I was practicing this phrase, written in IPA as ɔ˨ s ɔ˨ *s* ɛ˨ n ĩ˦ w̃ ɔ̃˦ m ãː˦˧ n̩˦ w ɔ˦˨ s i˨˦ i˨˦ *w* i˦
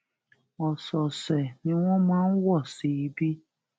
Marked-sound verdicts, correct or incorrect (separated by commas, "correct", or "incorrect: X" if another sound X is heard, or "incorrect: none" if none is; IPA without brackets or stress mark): correct, incorrect: b